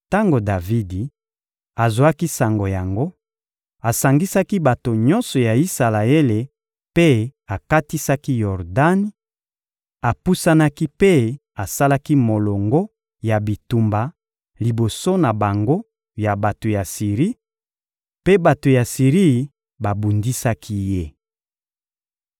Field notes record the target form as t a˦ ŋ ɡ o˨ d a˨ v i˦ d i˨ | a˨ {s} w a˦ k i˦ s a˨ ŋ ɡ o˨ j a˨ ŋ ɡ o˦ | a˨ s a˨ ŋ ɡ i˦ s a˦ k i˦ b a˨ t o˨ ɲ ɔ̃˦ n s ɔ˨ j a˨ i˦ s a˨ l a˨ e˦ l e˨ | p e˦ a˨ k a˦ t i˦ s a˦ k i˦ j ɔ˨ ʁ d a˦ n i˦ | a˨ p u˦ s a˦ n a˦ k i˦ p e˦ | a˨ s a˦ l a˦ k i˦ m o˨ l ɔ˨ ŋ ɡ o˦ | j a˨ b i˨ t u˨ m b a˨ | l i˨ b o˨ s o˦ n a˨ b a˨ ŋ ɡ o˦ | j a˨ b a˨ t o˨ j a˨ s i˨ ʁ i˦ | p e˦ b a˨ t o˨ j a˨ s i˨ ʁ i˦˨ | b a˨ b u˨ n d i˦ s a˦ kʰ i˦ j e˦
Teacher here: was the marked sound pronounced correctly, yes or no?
no